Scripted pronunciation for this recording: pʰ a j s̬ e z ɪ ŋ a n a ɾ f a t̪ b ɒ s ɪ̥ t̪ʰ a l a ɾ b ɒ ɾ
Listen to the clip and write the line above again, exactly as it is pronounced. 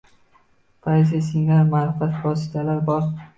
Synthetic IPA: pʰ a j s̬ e s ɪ ŋ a m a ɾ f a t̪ v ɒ s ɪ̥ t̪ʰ a l a ɾ b ɒ ɾ